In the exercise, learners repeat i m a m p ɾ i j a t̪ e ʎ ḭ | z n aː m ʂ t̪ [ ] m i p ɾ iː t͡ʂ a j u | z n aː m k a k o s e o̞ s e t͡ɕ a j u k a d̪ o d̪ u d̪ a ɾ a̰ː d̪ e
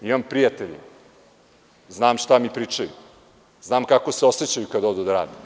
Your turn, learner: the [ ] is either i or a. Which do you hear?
a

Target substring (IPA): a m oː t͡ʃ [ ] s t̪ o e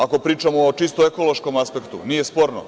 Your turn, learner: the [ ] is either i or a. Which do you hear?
i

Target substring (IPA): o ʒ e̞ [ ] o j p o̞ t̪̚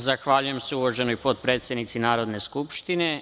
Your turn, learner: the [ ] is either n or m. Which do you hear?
n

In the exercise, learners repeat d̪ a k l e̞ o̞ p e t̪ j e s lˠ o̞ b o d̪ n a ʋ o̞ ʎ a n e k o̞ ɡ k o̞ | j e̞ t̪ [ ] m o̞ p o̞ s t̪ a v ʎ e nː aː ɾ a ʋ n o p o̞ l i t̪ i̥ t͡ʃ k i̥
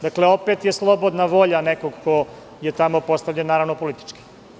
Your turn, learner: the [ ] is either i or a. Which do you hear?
a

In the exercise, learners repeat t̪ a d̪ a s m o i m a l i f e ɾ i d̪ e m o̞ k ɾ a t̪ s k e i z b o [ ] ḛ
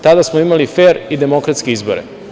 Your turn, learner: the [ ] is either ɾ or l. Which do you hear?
ɾ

